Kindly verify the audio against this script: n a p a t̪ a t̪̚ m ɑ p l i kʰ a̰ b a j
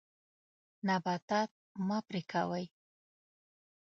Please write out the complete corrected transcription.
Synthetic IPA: n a b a t̪ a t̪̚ m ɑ p ɾ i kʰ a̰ w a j